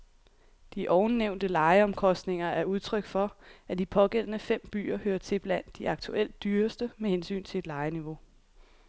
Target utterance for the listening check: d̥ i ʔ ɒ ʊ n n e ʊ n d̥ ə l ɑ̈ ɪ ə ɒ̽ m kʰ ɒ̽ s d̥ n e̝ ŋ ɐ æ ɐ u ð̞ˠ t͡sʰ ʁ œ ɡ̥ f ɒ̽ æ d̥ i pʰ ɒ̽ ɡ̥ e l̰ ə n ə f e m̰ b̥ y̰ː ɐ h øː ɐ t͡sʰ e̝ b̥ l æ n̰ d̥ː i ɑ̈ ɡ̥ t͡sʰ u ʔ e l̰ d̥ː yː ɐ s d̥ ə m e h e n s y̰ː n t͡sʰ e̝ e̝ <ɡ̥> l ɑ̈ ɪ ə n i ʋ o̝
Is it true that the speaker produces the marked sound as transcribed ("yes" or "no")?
no